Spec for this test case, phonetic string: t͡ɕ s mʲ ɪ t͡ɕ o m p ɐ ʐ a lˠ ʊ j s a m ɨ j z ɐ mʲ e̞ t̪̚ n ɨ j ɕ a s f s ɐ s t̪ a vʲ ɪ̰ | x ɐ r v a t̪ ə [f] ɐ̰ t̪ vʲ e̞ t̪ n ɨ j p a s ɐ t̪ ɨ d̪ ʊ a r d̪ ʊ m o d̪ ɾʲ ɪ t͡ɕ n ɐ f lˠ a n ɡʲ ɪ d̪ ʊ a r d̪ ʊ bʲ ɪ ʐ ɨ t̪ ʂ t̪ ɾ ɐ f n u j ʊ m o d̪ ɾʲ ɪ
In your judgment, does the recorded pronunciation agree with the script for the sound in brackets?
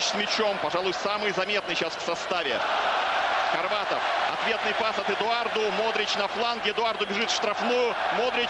yes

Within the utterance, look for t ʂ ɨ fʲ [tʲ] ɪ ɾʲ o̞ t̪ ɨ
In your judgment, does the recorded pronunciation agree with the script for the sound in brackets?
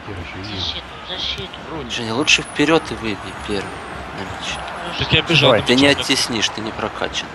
no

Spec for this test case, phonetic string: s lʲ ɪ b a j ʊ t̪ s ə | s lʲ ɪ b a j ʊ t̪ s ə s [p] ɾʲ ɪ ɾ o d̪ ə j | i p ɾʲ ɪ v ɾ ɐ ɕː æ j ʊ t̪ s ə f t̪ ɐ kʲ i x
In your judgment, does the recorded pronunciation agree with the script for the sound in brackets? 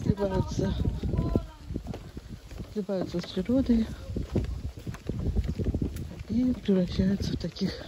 yes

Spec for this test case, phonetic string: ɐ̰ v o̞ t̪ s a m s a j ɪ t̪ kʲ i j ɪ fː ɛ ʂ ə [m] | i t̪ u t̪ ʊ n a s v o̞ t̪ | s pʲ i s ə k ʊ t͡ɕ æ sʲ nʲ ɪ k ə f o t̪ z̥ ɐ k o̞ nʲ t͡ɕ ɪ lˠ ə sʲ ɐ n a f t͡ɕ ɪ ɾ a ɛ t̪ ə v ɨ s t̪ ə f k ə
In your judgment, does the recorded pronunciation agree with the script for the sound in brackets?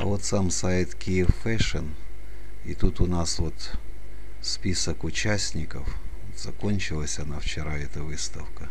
no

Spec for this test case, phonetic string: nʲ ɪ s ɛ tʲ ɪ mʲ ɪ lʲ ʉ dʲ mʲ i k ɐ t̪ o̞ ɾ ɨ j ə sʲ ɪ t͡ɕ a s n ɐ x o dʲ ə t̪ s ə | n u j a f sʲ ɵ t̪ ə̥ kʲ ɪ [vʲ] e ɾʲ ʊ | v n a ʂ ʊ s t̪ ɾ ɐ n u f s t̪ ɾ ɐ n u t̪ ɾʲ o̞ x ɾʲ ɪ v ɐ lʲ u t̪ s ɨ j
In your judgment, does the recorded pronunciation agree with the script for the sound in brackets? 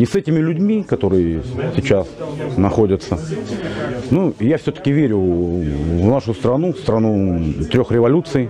yes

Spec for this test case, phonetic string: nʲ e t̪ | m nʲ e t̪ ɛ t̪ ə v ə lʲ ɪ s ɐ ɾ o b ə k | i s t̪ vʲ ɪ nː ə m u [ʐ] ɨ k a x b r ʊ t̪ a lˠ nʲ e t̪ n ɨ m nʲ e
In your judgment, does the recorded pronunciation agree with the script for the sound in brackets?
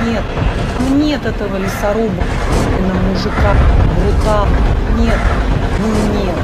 yes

